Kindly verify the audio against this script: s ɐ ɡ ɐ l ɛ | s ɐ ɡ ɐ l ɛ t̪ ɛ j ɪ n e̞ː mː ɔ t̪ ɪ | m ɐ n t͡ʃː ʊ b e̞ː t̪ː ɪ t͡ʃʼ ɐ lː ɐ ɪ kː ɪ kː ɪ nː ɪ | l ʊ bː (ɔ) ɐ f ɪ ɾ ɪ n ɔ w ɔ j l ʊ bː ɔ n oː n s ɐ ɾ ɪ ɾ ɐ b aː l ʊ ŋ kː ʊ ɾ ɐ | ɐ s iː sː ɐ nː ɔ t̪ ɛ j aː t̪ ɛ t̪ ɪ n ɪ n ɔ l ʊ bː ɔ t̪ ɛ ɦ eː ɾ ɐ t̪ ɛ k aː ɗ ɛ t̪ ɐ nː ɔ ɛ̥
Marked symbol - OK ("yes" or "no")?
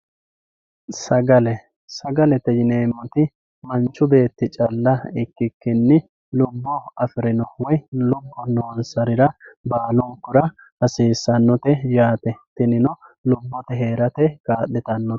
yes